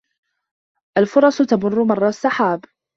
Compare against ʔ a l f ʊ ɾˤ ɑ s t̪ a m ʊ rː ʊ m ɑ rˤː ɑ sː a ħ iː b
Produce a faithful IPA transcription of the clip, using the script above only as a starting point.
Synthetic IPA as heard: ʔ a l f ʊ ɾˤ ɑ s t̪ a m ʊ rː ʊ m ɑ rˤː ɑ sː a ħ aː b